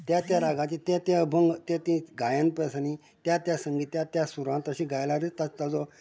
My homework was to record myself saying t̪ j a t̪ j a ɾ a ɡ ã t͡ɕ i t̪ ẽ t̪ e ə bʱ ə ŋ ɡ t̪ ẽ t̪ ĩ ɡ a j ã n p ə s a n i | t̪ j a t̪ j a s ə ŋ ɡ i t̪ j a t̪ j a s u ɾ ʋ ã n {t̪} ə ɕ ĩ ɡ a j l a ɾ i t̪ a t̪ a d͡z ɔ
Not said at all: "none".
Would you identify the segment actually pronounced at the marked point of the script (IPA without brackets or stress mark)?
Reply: t̪